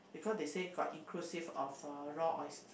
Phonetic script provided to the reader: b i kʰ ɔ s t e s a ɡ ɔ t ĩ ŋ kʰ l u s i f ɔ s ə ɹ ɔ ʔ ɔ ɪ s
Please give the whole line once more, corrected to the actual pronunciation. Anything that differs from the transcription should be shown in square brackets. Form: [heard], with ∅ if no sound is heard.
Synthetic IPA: b i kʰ ɔ s [d] e s [e] ɡ ɔ t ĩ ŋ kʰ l u s i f ɔ [f] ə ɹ ɔ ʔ ɔ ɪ s